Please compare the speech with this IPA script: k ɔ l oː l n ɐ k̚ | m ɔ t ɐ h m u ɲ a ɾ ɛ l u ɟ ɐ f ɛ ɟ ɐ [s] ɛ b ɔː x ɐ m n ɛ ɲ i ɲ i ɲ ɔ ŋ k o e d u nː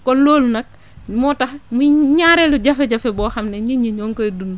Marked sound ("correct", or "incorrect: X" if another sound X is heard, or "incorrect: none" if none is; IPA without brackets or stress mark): incorrect: f